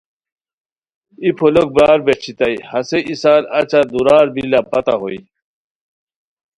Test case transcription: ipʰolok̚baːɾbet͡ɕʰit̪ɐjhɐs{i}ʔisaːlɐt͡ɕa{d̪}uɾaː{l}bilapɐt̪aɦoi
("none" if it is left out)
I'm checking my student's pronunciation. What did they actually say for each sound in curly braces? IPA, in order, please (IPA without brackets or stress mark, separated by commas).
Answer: e, d̪, ɾ